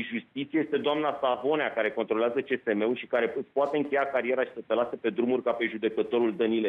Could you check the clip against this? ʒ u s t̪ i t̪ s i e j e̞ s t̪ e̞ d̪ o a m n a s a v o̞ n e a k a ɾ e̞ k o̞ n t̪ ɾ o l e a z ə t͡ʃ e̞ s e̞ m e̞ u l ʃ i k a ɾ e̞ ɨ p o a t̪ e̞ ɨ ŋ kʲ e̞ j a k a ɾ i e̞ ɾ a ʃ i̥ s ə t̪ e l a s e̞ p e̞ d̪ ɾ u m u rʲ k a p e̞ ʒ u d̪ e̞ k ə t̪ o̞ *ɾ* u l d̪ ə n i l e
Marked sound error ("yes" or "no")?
no